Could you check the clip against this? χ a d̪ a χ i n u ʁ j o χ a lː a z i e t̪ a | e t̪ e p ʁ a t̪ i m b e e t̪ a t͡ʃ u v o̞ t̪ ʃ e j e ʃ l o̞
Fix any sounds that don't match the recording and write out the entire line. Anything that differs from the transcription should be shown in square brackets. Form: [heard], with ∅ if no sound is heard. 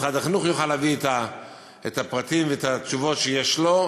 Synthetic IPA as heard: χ a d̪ a χ i n u [χ] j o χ a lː a [v] i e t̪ a | e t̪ [a] p ʁ a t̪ i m [v] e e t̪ a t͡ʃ u v o̞ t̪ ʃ e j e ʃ l o̞

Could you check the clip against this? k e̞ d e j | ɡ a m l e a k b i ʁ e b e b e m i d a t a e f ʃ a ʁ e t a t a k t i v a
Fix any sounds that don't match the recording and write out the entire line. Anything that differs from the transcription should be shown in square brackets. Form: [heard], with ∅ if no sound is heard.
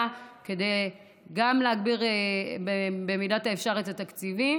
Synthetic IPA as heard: k e̞ d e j | ɡ a m l e a [ɡ] b i ʁ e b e b e m i d a t a e f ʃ a ʁ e t a t a k [t͡s] i v [i]

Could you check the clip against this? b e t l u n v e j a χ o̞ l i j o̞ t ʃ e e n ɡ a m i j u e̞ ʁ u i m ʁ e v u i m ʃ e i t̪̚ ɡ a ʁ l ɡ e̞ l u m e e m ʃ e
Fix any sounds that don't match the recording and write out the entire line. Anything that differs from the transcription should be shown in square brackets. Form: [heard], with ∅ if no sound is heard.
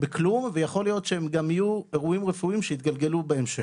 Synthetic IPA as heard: b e [k] l u [m] v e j a χ o̞ l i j o̞ t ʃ e e [m] ɡ a m i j u e̞ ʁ u i m ʁ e [f] u i m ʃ e i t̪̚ ɡ a [∅] l ɡ e̞ l u [b] e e m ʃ e

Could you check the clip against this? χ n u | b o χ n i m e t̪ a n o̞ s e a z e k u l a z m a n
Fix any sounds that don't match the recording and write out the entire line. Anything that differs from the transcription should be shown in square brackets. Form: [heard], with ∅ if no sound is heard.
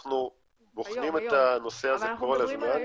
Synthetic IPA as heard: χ n u | b o χ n i m e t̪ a n o̞ s e a z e k [o] l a z m a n

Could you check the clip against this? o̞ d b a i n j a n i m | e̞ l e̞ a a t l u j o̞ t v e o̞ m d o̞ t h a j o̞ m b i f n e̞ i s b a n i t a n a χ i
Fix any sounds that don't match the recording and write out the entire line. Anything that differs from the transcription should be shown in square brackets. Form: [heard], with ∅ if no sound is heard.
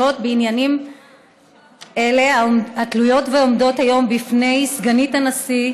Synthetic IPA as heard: o̞ [t] b [e] i n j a n i m | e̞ l e̞ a a t l u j o̞ t v e o̞ m d o̞ t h a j o̞ m b i f n e̞ [j] s [ɡ] a n i t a n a [s] i

